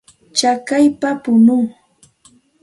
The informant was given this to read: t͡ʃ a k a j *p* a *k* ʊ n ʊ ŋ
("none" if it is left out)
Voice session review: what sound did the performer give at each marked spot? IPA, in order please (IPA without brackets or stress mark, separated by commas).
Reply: p, p